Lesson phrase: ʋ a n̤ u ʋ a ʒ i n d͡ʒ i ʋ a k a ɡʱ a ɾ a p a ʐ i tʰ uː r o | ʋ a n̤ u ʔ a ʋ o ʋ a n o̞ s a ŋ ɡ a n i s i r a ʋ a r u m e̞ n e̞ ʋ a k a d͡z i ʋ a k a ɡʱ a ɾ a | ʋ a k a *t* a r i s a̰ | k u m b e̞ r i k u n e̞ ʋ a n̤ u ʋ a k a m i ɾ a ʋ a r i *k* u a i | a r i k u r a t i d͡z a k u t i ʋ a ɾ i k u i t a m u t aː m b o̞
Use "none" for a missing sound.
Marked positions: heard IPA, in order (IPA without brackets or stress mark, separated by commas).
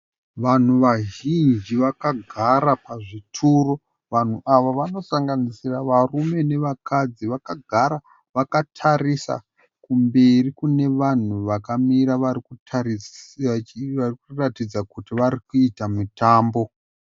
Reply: tʰ, k